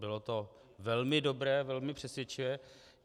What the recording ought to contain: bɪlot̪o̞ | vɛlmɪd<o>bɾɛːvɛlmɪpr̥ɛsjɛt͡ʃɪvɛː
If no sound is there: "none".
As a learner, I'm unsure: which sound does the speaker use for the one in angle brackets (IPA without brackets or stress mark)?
o